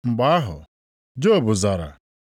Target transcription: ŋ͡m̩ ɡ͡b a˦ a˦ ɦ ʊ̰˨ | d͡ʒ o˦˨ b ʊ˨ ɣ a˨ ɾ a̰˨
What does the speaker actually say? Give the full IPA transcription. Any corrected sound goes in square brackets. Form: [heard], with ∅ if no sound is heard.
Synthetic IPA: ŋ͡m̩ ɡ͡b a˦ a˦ ɦ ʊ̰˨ | d͡ʒ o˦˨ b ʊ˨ [z] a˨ ɾ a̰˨